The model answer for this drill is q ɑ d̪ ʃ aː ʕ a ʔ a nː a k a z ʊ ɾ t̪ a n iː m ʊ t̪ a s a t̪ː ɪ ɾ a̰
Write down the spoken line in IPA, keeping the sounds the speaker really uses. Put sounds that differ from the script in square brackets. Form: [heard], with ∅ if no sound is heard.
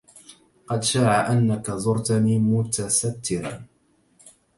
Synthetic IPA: q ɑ d̪ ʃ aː ʕ a ʔ a nː a k a z ʊ ɾ t̪ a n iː m ʊ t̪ a s a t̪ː ɪ ɾ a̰

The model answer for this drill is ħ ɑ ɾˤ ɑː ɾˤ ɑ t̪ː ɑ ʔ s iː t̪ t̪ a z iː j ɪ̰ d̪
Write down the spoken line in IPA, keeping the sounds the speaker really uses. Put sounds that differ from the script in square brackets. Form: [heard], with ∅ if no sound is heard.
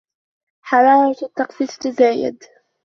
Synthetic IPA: ħ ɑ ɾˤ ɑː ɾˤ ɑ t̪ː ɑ [q] s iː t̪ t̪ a z [aː] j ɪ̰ d̪

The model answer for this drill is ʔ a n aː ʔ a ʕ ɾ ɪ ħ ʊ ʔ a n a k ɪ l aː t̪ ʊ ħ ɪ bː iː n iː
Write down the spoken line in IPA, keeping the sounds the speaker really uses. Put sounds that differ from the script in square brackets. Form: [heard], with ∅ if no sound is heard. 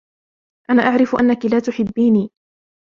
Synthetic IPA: ʔ a n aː ʔ a ʕ ɾ ɪ [f] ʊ ʔ a [nː] a k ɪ l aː t̪ ʊ ħ ɪ bː iː n iː

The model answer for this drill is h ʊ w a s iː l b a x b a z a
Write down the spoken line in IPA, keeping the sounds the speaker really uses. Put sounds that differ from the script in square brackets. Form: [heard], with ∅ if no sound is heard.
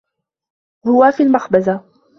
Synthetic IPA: h ʊ w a [f] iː l [m] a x b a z a

